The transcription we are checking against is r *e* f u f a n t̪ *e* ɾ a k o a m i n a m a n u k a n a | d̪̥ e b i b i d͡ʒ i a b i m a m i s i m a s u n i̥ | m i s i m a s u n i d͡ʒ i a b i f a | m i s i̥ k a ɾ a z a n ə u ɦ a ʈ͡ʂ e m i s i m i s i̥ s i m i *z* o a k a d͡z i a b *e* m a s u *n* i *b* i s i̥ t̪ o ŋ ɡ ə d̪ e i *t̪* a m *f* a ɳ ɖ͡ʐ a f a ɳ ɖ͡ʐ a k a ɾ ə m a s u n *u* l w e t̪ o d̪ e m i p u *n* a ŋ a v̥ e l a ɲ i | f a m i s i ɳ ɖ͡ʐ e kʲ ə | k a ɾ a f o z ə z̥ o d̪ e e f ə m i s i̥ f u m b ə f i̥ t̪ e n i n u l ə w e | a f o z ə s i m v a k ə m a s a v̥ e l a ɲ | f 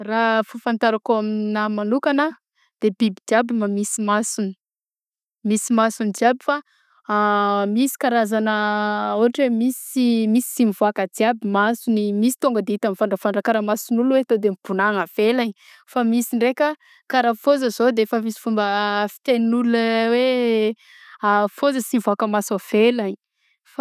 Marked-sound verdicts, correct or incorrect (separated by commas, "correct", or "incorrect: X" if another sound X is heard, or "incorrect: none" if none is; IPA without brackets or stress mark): incorrect: a, incorrect: a, incorrect: v, incorrect: i, correct, incorrect: m, correct, correct, correct, correct